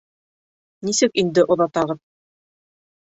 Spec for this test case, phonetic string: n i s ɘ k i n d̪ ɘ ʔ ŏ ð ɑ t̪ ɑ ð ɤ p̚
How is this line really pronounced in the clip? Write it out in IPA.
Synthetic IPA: n i s ɘ k i n d̪ ɘ ʔ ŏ ð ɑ t̪ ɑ ʁ ɤ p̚